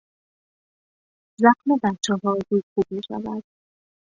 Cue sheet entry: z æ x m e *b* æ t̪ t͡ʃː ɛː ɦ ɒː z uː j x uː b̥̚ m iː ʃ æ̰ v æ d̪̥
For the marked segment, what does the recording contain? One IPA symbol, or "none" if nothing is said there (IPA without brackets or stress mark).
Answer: b